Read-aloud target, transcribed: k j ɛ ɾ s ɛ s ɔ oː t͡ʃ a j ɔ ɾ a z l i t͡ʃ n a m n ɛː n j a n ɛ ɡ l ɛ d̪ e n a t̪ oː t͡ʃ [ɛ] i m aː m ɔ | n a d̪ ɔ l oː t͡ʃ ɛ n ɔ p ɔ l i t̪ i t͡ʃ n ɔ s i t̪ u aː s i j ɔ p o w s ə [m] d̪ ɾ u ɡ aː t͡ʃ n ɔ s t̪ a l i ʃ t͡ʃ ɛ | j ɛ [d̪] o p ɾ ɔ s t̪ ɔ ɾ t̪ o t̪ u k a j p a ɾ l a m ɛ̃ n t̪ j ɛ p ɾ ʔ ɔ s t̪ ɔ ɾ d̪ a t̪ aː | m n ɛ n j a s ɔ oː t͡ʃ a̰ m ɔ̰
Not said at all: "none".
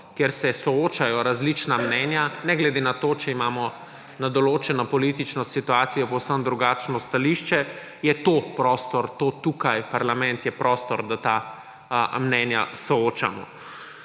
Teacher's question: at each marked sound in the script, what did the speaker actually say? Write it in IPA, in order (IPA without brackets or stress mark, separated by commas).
ɛ, m, t̪